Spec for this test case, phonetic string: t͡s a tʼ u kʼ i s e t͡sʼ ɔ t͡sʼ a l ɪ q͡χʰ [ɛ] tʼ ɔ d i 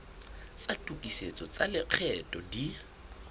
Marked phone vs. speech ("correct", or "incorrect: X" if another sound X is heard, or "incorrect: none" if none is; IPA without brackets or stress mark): correct